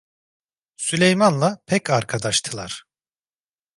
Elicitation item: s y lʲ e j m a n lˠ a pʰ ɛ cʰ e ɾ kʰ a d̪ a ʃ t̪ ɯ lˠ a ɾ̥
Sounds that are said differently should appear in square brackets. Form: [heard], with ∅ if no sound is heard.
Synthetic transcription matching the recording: s y lʲ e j m a n lˠ a pʰ ɛ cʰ [a] ɾ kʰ a d̪ a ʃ [t̪ʰ] ɯ lˠ a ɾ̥